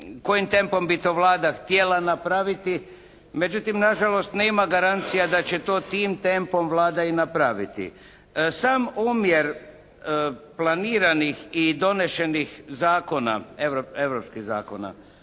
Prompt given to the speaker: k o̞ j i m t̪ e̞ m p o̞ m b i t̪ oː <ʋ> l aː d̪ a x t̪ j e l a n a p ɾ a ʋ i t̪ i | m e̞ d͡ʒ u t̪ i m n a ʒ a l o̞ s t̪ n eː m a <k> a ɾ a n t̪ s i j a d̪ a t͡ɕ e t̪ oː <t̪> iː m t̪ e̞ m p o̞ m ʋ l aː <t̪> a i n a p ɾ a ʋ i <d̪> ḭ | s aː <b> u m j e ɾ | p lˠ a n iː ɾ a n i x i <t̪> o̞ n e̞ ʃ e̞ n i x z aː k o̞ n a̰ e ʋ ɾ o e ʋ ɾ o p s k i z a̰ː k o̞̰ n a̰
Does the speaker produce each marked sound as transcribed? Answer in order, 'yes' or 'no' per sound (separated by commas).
yes, no, yes, no, no, no, no